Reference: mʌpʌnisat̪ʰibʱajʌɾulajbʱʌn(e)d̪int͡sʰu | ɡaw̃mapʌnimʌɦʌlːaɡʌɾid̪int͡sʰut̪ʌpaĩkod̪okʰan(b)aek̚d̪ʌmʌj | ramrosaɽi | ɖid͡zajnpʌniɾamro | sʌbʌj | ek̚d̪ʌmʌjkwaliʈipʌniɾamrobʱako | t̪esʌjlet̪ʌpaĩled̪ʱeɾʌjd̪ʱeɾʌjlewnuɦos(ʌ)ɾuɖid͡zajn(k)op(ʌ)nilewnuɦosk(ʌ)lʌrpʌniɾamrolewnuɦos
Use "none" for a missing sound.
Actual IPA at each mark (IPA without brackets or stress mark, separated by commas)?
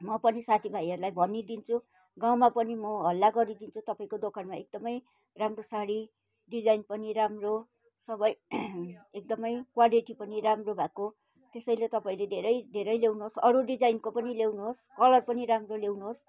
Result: i, m, ʌ, k, ʌ, ʌ